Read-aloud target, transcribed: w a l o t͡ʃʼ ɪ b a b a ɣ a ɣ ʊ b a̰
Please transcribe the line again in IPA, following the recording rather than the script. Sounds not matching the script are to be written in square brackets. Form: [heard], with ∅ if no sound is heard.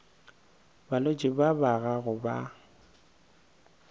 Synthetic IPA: [b] a l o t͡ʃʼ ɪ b a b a ɣ a ɣ ʊ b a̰

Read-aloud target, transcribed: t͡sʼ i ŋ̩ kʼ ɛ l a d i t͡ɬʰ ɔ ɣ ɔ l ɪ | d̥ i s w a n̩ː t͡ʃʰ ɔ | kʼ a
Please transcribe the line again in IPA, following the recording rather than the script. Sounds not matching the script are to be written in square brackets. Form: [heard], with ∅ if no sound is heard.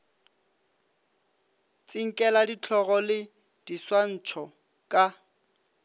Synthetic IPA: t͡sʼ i ŋ̩ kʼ ɛ l a d i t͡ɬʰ ɔ ɣ ɔ l ɪ | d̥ i s w a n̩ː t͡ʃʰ ɔ | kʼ a

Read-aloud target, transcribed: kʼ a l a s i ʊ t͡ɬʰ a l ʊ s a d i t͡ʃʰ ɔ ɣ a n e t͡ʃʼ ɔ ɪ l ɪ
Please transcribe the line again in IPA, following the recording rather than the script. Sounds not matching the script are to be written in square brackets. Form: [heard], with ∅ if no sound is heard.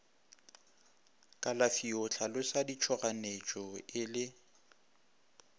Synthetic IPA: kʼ a l a [f] i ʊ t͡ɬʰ a l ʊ s a d i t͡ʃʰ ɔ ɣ a n e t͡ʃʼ ɔ ɪ l ɪ

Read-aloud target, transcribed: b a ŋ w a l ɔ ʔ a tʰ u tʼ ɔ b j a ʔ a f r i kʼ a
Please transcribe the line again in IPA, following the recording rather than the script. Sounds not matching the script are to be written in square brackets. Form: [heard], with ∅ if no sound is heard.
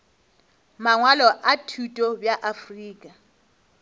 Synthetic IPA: [m] a ŋ w a l ɔ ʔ a tʰ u tʼ ɔ b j a ʔ a f r [iː] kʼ a

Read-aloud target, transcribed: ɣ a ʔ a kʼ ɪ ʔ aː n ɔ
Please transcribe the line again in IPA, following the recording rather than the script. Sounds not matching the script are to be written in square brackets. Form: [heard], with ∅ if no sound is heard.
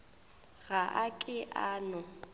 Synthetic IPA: ɣ a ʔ a kʼ ɪ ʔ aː n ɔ

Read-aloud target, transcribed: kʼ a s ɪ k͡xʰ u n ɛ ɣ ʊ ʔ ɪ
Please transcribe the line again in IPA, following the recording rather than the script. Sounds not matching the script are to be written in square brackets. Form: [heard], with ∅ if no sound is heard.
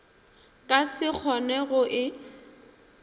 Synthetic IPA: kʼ a s ɪ k͡xʰ [ɔ] n ɛ ɣ ʊ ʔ ɪ

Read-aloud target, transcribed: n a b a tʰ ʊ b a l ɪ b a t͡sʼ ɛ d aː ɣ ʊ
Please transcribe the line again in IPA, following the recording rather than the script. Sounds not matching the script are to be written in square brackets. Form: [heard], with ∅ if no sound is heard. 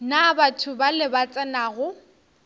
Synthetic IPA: n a b a tʰ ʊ b a l ɪ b a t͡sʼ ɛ [n] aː ɣ ʊ

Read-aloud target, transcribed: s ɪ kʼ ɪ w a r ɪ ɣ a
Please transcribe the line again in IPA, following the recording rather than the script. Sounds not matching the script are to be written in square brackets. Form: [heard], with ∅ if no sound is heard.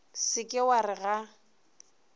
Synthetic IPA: s ɪ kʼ ɪ w a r ɪ ɣ a

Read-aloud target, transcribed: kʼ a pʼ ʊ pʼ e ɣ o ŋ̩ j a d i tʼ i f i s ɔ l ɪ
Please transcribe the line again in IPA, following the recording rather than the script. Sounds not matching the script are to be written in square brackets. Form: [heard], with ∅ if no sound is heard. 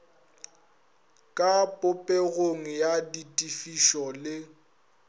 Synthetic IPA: kʼ a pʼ ʊ pʼ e ɣ o ŋ̩ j a d i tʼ i f i [ʃ] ɔ l ɪ

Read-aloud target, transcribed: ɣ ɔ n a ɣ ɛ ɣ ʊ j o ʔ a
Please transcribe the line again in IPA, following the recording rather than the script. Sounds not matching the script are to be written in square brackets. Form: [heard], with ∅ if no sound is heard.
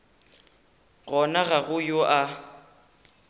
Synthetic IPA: ɣ ɔ n a ɣ [a] ɣ ʊ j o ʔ a

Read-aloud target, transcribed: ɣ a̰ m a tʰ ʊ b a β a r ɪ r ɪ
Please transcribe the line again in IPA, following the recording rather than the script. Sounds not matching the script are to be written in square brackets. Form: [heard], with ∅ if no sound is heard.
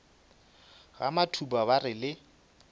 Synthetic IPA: ɣ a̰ m a tʰ [u] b a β a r ɪ [l] ɪ

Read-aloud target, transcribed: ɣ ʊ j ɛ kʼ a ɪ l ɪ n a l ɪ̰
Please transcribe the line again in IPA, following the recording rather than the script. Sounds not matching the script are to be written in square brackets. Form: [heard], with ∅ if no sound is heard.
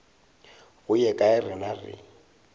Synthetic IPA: ɣ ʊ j ɛ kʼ a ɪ [r] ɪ n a [r] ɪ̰

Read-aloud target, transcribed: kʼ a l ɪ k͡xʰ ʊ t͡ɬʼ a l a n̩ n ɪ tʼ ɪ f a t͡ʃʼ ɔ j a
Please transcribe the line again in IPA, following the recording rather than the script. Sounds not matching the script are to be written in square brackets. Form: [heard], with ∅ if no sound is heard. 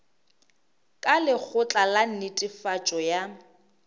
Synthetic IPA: kʼ a l ɪ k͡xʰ ʊ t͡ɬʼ a l a n̩ n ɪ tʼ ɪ f a t͡ʃʼ ɔ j a

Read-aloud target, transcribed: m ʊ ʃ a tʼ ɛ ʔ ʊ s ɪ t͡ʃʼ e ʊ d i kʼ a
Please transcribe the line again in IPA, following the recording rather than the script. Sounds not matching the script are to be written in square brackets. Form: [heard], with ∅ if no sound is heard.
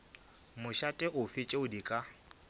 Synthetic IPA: m ʊ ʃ a tʼ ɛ ʔ ʊ [f] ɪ t͡ʃʼ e ʊ d i kʼ a

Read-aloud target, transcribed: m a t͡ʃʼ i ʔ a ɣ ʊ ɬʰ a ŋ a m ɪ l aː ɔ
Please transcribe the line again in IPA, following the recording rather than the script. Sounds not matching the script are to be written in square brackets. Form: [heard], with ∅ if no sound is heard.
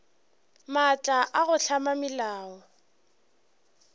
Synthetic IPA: m a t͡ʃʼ [a] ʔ a ɣ ʊ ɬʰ a [m] a m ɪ l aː ɔ

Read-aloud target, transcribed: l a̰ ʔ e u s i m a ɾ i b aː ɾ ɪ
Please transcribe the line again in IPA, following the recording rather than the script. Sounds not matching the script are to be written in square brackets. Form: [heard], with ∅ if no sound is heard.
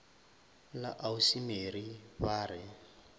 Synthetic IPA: l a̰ ʔ [a] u s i m [e] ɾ i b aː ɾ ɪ

